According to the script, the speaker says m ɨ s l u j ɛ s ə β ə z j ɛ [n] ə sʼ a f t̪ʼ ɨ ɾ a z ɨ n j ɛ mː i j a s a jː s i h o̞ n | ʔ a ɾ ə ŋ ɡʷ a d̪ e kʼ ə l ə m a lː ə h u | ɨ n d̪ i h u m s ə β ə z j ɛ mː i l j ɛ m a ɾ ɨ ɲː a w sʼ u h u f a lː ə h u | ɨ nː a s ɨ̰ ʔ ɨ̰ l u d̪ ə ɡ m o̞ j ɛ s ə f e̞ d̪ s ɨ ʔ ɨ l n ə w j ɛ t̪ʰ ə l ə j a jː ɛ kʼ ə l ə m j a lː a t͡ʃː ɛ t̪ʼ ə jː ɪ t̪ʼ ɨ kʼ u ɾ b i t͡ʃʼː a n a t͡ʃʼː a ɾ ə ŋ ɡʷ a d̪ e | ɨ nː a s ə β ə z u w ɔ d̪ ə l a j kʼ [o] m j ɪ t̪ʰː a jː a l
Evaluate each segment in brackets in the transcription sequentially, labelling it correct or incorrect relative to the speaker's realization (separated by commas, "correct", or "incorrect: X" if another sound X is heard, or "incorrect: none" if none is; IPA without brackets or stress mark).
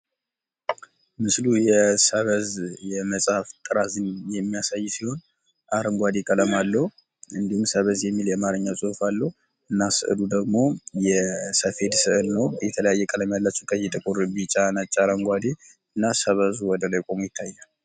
incorrect: m, correct